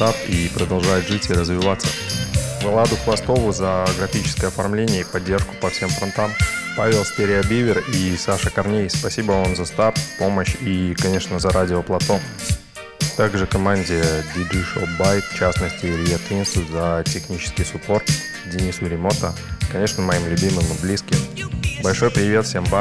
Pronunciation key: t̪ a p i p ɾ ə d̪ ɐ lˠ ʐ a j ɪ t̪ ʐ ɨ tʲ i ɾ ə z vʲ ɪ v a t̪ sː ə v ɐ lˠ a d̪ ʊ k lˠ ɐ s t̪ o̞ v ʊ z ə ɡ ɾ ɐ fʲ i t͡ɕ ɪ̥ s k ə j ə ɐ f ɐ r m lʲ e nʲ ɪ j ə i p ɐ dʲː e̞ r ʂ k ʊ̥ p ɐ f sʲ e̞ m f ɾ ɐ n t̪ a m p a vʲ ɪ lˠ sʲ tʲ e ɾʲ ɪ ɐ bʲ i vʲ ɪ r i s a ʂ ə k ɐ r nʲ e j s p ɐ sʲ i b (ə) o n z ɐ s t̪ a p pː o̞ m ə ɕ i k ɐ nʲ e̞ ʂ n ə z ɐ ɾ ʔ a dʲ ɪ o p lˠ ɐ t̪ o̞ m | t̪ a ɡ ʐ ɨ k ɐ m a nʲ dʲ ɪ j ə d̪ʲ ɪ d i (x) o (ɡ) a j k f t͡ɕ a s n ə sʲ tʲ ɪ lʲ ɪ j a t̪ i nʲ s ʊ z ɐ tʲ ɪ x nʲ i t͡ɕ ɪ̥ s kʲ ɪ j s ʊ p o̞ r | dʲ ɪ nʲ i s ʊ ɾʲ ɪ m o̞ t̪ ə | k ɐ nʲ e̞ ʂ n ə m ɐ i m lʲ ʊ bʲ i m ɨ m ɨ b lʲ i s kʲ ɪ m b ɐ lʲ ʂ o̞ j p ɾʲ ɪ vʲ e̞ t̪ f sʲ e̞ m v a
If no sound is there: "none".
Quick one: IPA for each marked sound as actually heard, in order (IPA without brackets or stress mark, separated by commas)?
ə, ʂ, b